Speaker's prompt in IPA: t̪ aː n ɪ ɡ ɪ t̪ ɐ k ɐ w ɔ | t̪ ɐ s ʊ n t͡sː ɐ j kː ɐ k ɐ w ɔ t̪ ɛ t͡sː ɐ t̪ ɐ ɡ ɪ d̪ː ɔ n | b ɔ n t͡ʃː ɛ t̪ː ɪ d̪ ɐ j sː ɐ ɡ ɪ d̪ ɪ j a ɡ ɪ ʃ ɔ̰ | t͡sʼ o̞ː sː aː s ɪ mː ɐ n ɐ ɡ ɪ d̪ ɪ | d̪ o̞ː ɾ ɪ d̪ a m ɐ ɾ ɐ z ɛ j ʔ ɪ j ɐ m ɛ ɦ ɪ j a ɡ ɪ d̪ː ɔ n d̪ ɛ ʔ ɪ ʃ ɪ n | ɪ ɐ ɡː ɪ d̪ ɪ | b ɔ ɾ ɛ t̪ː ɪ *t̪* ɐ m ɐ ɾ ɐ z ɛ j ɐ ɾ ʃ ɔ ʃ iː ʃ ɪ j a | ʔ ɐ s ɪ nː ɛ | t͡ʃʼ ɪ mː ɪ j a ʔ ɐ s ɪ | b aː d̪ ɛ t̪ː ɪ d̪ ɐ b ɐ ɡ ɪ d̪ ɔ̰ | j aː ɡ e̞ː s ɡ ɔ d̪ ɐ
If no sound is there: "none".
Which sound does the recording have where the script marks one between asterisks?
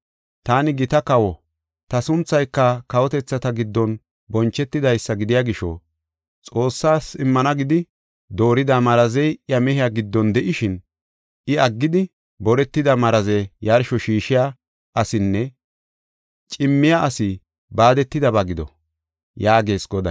d̪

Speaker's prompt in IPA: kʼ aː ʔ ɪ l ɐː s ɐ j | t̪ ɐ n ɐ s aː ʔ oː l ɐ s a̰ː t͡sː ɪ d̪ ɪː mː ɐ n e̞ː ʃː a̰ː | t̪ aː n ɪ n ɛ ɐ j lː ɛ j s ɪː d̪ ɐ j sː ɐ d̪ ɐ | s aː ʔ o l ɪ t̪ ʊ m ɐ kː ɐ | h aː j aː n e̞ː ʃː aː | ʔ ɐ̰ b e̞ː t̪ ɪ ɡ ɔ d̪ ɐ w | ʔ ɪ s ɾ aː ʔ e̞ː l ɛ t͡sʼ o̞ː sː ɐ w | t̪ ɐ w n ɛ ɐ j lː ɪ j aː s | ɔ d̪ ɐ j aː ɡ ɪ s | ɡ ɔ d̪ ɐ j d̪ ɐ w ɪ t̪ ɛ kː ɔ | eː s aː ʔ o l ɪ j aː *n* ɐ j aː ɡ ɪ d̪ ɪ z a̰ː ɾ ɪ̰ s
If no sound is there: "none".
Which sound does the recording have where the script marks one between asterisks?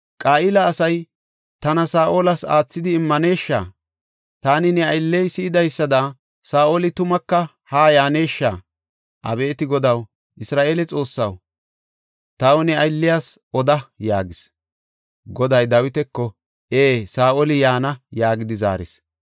n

